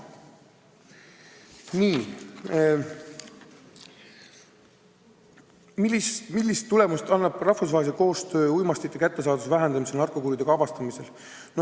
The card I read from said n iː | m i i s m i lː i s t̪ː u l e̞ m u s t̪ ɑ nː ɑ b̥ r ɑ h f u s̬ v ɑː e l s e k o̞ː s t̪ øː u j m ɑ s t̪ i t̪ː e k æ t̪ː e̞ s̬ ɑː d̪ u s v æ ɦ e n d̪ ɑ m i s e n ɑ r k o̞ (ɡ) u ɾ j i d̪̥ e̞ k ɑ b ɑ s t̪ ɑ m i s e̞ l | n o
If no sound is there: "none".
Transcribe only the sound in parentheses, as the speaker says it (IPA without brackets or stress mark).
k